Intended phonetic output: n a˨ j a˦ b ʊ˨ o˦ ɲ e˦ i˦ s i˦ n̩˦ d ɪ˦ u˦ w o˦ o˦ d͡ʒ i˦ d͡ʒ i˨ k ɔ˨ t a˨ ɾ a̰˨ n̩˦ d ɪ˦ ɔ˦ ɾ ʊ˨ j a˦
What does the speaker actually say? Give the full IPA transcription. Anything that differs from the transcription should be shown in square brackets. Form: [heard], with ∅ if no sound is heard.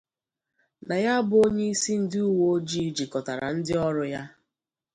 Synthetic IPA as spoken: n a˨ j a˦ b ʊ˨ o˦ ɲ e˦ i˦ s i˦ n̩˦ d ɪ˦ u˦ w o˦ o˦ d͡ʒ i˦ d͡ʒ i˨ k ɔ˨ t a˨ ɾ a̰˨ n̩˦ d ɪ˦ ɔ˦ ɾ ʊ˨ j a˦